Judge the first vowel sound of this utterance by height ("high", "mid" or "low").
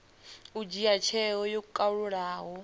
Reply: high